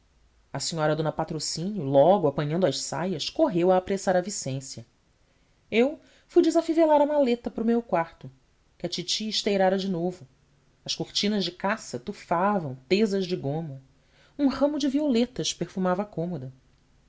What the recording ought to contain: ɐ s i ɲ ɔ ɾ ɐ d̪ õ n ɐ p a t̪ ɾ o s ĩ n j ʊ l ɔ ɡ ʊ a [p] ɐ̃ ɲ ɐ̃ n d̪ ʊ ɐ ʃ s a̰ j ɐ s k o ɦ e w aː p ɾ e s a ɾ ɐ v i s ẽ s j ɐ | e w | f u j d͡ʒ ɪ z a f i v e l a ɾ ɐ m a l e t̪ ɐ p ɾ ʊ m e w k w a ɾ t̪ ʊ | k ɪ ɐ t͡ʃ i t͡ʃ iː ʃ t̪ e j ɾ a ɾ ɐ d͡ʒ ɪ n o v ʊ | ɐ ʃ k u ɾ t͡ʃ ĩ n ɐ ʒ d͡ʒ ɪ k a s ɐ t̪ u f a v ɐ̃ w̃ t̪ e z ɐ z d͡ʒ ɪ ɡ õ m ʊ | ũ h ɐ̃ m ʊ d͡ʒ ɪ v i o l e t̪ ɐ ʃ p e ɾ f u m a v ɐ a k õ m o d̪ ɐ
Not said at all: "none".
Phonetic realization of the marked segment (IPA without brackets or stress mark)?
p